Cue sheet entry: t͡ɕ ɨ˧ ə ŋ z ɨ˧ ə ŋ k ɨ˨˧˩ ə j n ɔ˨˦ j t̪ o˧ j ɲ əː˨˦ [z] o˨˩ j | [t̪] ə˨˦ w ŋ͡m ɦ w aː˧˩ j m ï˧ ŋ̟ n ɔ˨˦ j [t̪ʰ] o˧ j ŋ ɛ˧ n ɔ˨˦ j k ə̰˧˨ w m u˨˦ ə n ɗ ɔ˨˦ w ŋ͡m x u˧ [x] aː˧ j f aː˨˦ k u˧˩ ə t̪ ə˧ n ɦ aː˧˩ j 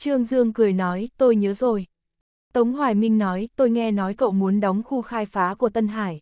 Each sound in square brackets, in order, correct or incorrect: correct, correct, incorrect: t̪, correct

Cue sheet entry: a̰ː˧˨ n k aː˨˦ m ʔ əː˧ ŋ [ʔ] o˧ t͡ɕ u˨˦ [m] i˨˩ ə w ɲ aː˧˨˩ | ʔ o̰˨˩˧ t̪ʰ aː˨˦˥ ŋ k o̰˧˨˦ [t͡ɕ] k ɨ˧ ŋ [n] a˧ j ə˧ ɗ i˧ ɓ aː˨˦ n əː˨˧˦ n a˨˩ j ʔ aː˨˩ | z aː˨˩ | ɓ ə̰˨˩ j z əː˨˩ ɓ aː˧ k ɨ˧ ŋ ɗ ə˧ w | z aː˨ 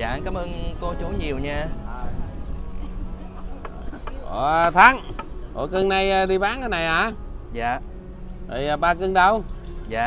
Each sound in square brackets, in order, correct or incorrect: incorrect: k, incorrect: ɲ, incorrect: none, correct

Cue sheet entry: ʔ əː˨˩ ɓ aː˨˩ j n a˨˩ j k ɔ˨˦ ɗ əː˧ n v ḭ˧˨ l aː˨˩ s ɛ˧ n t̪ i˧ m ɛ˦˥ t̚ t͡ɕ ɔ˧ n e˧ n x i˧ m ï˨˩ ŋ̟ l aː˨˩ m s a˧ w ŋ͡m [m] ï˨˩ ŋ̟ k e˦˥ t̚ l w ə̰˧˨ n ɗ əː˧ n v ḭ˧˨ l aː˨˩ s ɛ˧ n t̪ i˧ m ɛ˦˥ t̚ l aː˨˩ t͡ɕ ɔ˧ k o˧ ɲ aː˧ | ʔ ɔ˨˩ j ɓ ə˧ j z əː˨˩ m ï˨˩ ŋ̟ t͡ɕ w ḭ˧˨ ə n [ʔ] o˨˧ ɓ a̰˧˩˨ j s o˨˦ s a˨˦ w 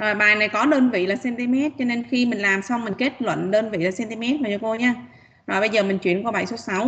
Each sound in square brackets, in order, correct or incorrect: correct, incorrect: k

